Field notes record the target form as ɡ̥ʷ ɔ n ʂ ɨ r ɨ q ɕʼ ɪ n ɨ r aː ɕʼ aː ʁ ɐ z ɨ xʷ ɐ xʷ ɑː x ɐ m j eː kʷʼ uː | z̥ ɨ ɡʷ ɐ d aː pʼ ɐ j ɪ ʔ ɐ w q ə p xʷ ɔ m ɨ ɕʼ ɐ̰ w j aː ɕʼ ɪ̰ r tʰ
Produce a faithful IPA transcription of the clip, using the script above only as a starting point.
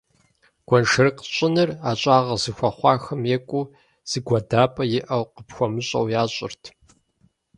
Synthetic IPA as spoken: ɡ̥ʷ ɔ n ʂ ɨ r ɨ q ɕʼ ɪ n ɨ r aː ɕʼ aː ʁ ɐ z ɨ xʷ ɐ χʷ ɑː x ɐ m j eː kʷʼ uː | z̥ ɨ ɡʷ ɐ d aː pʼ ɐ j ɪ ʔ ɐ w q ə p xʷ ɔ m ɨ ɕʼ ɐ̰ w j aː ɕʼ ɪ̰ r tʰ